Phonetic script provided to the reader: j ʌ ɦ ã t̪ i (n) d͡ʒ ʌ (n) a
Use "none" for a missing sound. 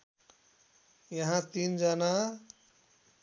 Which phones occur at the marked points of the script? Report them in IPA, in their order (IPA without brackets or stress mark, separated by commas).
n, n